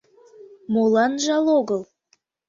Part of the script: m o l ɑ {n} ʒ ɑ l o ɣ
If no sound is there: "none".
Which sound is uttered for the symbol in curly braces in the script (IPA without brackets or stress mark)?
n